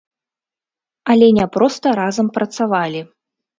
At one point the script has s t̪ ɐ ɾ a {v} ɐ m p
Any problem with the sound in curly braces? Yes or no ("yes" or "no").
yes